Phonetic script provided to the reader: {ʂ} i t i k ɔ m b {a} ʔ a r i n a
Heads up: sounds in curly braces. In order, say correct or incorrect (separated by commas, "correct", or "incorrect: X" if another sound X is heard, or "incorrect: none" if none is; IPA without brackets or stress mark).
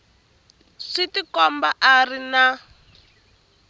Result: correct, correct